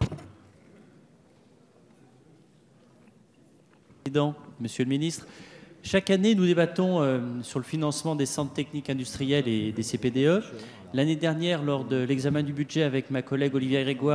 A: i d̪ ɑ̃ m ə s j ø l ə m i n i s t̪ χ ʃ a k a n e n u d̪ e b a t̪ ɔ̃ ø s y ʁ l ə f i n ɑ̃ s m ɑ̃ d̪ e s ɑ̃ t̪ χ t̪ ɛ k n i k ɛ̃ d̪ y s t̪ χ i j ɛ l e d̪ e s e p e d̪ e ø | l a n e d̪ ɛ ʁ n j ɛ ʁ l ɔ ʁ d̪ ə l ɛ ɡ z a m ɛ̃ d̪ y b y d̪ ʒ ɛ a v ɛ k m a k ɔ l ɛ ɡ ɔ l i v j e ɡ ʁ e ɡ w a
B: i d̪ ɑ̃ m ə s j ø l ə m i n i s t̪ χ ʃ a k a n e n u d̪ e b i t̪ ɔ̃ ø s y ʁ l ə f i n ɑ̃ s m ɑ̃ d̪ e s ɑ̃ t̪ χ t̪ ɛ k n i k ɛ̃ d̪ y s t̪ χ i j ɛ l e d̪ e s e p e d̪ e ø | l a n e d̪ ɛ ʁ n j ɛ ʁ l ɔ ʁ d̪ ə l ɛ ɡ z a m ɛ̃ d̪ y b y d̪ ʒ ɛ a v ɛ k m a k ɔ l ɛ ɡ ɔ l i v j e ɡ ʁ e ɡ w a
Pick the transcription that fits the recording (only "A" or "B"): A